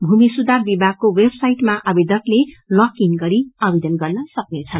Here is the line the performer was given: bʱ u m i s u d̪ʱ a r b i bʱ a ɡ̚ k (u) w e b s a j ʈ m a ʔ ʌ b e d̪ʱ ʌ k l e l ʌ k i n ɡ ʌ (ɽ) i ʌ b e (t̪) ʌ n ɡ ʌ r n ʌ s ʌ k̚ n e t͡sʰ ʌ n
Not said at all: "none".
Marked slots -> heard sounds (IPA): o, ɾ, d̪

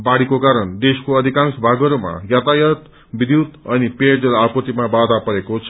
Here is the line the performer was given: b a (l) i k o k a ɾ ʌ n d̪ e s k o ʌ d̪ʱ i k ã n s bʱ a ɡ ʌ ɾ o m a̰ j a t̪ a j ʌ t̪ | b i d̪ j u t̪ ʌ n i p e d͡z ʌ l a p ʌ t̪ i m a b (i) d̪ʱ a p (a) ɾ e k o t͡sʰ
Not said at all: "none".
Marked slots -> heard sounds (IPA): ɽ, a, ʌ

